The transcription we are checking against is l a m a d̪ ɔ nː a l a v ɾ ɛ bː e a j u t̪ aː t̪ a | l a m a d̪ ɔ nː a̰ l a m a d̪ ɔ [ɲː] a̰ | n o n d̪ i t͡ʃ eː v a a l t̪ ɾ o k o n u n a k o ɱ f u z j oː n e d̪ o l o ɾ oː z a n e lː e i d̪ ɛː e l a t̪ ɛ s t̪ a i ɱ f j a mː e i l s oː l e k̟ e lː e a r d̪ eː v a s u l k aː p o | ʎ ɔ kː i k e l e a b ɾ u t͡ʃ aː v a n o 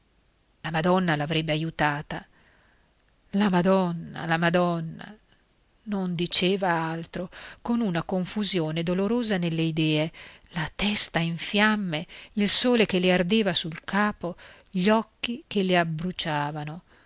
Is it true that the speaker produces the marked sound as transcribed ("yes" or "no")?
no